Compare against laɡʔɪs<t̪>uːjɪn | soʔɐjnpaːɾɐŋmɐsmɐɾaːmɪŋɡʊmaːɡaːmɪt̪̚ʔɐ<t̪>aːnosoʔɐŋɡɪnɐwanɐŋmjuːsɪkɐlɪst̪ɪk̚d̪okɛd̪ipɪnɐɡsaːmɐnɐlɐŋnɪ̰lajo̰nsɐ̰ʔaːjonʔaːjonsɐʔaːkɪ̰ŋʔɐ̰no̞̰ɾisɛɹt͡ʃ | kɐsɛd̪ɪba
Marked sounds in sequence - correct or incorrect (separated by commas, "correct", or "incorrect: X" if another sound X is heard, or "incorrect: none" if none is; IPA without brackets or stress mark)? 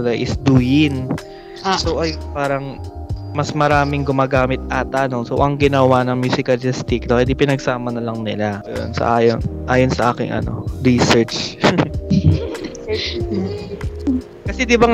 incorrect: d̪, correct